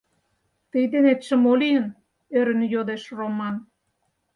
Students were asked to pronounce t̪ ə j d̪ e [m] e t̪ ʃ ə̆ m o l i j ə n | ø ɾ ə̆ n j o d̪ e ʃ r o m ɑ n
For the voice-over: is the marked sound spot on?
no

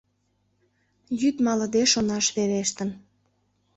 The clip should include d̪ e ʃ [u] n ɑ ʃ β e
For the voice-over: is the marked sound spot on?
no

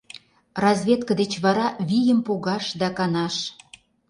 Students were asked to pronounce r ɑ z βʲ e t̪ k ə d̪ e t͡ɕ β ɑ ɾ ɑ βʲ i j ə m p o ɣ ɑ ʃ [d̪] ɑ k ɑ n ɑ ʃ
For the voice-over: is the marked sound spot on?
yes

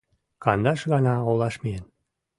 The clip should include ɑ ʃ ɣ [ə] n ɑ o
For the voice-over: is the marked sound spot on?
no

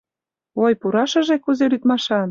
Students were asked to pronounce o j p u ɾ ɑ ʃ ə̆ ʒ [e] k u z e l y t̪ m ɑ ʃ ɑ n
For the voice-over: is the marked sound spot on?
yes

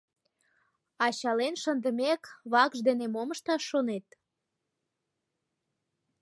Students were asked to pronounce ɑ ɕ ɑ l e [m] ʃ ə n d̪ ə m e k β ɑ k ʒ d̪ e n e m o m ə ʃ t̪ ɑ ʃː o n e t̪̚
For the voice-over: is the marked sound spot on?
no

